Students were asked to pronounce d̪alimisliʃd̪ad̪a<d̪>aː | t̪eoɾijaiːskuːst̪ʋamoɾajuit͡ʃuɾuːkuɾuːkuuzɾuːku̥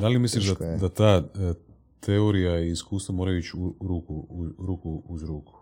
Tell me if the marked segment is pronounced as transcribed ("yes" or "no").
no